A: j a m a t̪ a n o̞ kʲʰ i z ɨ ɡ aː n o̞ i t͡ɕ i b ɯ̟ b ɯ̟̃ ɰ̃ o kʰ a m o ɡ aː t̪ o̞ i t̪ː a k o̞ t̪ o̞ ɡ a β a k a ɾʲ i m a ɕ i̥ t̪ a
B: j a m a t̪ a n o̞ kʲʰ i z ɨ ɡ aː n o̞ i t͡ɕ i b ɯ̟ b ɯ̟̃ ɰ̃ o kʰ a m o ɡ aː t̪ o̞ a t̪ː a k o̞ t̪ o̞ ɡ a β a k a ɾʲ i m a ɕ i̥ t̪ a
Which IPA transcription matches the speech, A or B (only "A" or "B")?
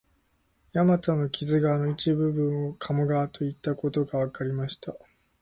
A